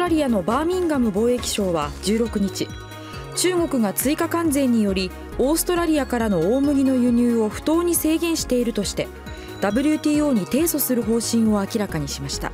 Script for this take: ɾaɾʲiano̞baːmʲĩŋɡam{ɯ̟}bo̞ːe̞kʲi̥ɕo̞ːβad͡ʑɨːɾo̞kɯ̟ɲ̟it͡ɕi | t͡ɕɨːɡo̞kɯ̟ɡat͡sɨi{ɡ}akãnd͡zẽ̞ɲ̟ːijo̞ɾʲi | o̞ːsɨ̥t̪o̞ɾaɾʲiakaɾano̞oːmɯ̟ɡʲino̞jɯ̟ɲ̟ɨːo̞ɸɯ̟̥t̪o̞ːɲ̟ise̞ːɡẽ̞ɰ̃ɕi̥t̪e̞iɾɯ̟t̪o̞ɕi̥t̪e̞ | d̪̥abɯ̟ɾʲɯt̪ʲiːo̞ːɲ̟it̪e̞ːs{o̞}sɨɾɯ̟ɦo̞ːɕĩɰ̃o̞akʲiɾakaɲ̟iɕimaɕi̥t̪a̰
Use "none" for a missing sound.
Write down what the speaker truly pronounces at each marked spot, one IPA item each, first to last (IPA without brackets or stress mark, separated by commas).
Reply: ɯ̟, k, o̞